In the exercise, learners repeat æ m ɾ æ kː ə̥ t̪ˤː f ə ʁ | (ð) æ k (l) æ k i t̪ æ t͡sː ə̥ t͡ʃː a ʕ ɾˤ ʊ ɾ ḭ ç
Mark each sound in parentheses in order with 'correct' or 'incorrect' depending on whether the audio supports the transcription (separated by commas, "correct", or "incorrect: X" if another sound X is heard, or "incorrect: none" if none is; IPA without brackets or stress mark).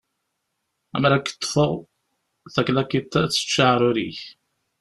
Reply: incorrect: θ, correct